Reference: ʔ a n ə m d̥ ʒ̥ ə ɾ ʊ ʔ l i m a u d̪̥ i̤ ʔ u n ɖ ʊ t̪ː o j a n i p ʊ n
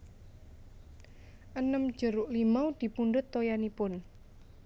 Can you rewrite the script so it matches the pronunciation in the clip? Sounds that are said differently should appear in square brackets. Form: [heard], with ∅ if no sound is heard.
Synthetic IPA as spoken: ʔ [ə] n ə m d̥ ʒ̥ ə ɾ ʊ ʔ l i m a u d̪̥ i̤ [p] u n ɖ ʊ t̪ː o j a n i p ʊ n